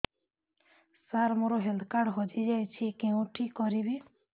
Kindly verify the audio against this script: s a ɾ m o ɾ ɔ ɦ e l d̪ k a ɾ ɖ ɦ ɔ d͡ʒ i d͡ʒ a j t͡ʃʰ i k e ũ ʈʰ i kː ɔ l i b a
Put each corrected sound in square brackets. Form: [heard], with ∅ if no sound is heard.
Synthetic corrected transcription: s a ɾ m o ɾ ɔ ɦ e l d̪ k a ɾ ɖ ɦ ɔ d͡ʒ i d͡ʒ a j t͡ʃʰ i k e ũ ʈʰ i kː ɔ [ɾ] i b [i]